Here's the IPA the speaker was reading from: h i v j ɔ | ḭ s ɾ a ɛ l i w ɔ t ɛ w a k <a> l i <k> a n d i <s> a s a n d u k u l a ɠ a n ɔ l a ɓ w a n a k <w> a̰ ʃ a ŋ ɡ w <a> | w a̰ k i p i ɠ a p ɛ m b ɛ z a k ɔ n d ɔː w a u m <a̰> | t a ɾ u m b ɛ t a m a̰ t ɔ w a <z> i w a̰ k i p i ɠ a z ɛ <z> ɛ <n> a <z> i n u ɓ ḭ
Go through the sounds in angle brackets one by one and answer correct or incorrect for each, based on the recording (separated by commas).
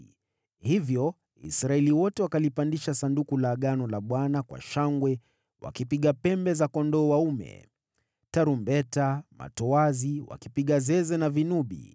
correct, incorrect, incorrect, correct, incorrect, incorrect, correct, correct, correct, incorrect